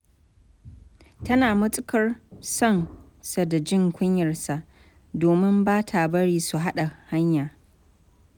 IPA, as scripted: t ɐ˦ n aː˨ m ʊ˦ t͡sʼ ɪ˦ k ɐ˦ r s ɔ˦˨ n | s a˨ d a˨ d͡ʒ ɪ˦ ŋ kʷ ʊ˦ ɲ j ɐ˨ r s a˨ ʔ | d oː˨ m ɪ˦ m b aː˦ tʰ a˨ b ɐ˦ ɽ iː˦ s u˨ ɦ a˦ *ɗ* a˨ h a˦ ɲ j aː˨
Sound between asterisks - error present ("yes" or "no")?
no